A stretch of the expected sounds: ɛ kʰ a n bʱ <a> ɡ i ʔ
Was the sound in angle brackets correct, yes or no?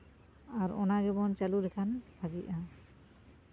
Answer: yes